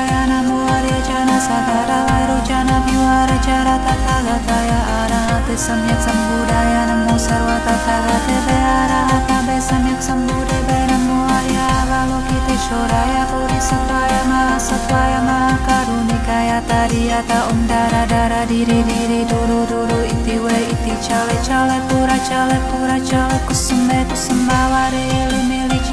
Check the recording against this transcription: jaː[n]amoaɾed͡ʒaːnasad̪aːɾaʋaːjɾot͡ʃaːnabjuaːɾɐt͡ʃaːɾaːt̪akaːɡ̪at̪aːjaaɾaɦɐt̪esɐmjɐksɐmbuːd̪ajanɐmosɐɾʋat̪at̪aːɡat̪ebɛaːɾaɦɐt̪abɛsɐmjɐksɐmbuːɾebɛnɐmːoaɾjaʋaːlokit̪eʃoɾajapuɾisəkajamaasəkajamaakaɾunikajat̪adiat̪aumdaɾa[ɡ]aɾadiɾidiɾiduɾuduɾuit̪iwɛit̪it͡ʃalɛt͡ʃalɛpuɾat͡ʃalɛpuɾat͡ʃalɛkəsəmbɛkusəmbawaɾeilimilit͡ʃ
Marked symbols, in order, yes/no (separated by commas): yes, no